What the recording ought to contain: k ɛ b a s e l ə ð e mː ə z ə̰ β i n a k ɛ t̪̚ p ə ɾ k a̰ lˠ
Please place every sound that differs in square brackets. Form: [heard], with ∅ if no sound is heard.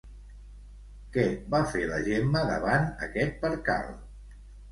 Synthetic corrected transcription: k ɛ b a [f] e l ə [ʒ] e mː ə [ð] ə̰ β [a] n [ə] k ɛ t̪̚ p ə ɾ k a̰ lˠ